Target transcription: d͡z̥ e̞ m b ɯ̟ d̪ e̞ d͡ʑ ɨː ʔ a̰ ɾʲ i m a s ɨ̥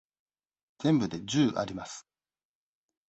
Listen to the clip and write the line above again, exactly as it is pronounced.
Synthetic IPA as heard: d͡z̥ ẽ̞ m b ɯ̟ d̪ e̞ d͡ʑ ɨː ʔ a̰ ɾʲ i m a s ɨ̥